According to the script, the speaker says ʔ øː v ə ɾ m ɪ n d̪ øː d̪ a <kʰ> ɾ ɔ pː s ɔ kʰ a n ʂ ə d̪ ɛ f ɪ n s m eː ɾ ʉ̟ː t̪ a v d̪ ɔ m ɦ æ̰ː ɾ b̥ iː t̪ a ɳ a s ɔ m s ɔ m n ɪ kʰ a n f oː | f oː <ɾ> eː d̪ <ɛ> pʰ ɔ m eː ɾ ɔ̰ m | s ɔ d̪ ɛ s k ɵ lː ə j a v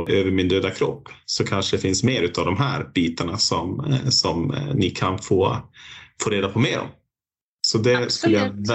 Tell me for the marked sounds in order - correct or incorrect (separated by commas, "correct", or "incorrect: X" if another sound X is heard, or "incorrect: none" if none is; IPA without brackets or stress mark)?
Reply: correct, correct, incorrect: a